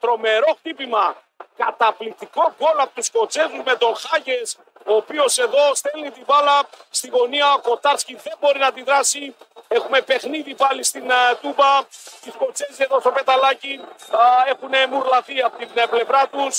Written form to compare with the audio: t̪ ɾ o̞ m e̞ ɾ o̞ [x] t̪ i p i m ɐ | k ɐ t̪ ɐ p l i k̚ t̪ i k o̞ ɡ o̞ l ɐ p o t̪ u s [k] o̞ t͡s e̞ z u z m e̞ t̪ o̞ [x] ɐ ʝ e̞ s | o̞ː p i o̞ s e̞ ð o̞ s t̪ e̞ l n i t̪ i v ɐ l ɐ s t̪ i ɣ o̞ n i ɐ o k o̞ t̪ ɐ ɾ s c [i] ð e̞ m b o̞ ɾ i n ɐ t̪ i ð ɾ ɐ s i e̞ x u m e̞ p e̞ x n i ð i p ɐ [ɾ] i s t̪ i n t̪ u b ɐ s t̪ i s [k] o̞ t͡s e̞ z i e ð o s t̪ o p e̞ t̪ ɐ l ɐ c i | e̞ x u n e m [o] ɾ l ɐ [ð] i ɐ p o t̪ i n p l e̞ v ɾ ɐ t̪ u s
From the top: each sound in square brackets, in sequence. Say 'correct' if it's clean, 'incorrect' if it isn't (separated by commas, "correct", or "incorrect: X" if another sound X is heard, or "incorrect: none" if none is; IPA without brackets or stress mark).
correct, correct, correct, correct, incorrect: l, correct, incorrect: u, incorrect: θ